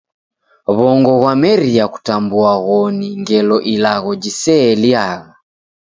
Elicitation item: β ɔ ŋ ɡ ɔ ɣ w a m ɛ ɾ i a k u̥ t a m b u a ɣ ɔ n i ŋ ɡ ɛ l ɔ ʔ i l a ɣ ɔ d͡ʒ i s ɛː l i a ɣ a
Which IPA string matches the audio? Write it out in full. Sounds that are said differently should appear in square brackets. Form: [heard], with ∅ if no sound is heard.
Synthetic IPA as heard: β ɔ ŋ ɡ ɔ ɣ w a m ɛ ɾ i a k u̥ t a m b u a ɣ ɔ n i ŋ ɡ ɛ l ɔ ʔ i l a ɣ ɔ d͡ʒ i s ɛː l i a ɣ a